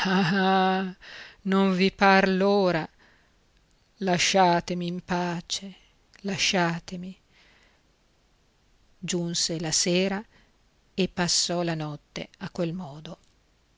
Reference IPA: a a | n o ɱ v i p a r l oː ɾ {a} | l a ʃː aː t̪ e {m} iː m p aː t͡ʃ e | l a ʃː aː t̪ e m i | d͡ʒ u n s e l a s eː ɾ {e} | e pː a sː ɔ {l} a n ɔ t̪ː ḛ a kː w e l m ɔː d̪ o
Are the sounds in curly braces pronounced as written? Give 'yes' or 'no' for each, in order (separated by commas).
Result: yes, yes, no, yes